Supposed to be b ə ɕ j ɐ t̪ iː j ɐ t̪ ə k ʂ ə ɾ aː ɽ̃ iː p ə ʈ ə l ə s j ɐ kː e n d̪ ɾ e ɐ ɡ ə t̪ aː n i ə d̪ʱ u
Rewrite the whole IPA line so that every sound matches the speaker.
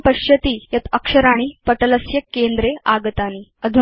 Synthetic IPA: p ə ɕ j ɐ t̪ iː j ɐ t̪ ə k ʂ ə ɾ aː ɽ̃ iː p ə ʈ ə l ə s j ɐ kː e n d̪ ɾ e a ɡ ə t̪ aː n i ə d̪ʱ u